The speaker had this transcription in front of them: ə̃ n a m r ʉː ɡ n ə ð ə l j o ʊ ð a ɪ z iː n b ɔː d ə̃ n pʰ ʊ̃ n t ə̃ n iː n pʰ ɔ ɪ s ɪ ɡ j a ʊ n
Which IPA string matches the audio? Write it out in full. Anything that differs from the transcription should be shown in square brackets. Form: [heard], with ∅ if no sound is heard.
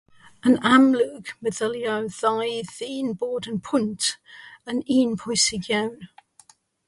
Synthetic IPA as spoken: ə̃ n a m [l] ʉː ɡ [m] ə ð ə l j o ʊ ð a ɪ [ð] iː n b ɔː d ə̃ n pʰ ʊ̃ n t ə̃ n iː n pʰ ɔ ɪ s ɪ ɡ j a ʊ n